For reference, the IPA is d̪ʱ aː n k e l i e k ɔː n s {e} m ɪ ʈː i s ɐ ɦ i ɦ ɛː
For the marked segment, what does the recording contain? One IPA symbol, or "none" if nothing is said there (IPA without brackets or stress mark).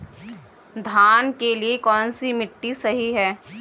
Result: i